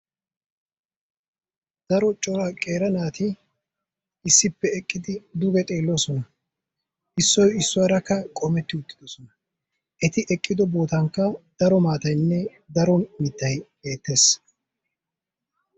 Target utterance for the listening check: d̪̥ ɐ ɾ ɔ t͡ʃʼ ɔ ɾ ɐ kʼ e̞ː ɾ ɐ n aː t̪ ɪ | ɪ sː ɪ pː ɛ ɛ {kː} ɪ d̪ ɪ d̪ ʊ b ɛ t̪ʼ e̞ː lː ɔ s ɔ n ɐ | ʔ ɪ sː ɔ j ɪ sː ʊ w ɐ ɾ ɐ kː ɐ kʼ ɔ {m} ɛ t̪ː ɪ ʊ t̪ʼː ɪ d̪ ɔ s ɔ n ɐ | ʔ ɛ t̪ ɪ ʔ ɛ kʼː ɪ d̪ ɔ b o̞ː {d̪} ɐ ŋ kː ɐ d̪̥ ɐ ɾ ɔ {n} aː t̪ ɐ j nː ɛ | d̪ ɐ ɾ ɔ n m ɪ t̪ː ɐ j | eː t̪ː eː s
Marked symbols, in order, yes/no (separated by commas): no, yes, no, no